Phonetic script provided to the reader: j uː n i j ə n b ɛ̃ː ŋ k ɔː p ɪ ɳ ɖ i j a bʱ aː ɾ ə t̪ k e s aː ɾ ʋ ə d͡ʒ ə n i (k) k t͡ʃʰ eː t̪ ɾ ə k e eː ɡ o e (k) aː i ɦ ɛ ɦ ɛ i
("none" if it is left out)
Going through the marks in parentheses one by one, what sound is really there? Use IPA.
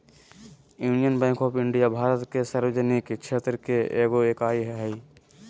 k, k

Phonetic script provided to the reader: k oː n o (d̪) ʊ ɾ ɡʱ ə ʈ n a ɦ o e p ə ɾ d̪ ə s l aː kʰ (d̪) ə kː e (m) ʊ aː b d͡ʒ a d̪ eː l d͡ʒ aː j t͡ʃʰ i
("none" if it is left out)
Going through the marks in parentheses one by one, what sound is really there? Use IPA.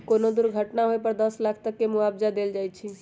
d̪, t̪, m

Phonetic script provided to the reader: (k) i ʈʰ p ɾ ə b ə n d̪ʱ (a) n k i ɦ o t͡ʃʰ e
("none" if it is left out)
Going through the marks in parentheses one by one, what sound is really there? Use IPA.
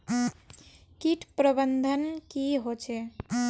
k, ə

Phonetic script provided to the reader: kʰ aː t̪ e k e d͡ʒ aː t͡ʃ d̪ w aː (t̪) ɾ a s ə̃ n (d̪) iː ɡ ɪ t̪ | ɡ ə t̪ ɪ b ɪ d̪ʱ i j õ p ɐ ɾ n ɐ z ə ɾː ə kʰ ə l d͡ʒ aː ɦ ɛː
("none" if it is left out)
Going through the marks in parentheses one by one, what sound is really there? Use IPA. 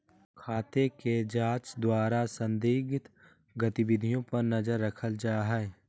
none, d̪

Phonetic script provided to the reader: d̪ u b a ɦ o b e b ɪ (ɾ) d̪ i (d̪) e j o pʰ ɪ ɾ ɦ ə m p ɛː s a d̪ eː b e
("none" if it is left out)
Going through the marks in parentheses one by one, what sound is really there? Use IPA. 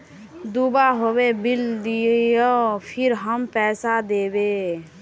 l, none

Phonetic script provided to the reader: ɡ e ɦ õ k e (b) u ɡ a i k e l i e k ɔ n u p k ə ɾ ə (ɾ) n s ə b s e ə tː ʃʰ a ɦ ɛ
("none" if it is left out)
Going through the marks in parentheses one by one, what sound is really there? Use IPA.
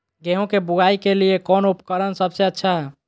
b, none

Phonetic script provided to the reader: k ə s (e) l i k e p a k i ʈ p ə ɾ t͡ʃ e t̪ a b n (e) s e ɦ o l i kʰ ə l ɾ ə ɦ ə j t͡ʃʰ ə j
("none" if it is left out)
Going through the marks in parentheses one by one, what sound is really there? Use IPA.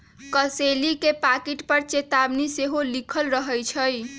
e, i

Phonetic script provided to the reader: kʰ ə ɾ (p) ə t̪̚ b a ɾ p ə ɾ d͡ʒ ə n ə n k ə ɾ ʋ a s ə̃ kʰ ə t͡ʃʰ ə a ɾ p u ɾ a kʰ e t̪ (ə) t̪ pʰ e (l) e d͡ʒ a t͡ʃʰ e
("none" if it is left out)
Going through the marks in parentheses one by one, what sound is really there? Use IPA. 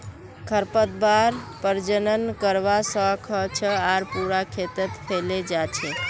p, ə, l

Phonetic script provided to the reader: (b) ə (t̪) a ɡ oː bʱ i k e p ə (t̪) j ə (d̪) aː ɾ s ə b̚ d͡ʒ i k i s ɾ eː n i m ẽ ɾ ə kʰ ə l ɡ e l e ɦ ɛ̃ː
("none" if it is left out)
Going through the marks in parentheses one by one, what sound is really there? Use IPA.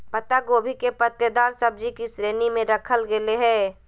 p, t̪, t̪, d̪

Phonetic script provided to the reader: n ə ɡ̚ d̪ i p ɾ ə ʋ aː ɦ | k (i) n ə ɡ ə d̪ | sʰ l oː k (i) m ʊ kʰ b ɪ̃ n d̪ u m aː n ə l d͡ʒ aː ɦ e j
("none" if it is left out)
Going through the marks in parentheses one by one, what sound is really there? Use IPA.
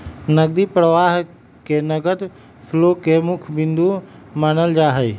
e, e

